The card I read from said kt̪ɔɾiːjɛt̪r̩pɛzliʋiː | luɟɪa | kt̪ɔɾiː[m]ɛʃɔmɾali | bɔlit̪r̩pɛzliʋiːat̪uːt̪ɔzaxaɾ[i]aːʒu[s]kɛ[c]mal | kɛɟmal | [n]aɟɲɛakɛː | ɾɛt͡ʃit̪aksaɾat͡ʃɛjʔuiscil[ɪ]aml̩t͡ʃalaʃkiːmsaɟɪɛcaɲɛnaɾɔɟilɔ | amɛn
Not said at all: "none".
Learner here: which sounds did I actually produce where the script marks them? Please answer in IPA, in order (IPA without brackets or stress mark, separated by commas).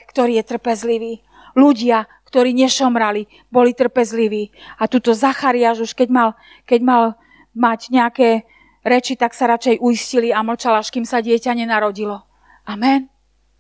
ɲ, i, ʃ, ɟ, m, i